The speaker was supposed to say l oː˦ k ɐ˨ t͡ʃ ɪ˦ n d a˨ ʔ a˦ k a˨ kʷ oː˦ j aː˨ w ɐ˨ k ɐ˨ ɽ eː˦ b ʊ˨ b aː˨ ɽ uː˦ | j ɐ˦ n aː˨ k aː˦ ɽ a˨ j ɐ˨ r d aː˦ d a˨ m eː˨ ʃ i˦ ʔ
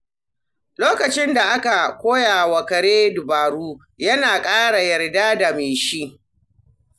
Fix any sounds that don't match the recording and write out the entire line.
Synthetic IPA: l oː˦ k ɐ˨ t͡ʃ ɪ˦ n d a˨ ʔ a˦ k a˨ kʷ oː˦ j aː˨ w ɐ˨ k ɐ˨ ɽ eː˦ d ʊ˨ b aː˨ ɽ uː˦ | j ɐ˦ n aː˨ kʼ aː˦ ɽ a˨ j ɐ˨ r d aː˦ d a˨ m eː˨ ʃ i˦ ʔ

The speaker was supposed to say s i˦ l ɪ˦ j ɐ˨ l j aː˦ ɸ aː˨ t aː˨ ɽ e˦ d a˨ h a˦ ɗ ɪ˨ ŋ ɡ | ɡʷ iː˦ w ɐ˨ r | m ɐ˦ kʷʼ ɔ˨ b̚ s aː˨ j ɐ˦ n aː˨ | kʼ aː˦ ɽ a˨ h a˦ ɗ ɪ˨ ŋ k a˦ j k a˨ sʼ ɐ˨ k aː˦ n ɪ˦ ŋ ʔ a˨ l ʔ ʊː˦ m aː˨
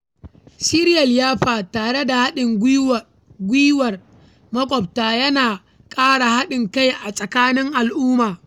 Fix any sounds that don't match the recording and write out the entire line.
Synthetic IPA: s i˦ ɾ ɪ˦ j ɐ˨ l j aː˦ ɸ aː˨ t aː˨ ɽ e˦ d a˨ h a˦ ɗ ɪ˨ ŋ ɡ | ɡʷ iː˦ w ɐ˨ r | m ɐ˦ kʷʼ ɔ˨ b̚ t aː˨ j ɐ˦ n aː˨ | kʼ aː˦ ɽ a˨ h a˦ ɗ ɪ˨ ŋ k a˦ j ʔ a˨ sʼ ɐ˨ k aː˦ n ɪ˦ ŋ ʔ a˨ l ʔ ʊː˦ m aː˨

